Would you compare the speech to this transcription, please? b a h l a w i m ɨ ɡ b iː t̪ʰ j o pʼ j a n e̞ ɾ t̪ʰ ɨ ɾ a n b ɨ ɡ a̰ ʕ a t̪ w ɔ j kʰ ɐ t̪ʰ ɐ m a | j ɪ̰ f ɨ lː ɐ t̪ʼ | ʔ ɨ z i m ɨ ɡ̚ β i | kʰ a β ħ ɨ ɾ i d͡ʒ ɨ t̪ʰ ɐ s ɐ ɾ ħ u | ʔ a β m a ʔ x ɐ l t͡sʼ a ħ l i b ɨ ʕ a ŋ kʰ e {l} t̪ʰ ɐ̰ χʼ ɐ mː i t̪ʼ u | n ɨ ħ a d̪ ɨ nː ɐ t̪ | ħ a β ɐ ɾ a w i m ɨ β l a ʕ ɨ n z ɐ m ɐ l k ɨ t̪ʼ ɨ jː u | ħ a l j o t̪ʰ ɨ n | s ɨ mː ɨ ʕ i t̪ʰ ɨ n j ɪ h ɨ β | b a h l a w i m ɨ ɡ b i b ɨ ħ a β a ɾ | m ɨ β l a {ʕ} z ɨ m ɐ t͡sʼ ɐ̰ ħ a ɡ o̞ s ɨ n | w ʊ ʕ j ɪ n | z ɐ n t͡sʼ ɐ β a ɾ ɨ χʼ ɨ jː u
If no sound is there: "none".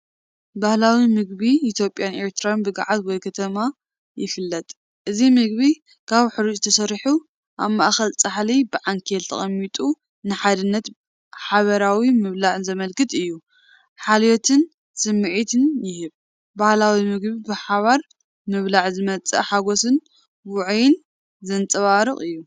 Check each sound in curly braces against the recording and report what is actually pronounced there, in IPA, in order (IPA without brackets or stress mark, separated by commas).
l, ʕ